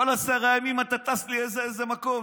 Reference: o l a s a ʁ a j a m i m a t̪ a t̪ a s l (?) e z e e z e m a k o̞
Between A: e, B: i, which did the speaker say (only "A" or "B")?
B